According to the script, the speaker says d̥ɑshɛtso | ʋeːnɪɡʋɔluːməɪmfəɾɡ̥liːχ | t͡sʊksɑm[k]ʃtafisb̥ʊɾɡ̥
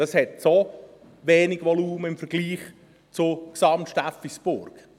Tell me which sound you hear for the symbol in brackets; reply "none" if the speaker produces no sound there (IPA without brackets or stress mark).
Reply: t